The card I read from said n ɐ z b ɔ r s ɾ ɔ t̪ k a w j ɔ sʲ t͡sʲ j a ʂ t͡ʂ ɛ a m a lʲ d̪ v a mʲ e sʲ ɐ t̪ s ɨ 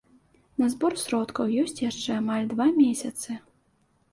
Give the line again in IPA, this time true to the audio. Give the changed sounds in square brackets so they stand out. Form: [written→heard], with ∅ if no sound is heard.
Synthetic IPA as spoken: n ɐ z b ɔ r s ɾ ɔ t̪ k [a→ɐ] w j ɔ sʲ t͡sʲ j a ʂ t͡ʂ ɛ a m a lʲ d̪ v a mʲ e sʲ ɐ t̪ s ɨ